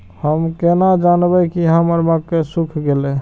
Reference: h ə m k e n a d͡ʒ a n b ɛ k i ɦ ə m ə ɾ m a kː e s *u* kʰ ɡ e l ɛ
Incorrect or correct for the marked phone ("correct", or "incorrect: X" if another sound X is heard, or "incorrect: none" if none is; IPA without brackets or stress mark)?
correct